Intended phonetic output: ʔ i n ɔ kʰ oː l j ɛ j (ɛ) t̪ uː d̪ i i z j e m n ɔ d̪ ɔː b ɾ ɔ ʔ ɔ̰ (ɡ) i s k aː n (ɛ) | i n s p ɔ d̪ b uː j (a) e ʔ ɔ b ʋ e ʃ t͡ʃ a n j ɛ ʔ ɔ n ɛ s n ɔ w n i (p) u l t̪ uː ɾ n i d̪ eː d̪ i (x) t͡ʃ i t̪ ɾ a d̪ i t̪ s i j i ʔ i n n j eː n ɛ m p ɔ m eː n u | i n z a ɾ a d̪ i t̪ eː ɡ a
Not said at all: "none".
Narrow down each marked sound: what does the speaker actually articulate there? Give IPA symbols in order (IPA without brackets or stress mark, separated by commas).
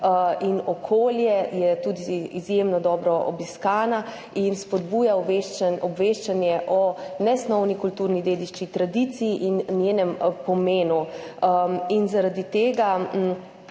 ɛ, b, a, a, k, ʃ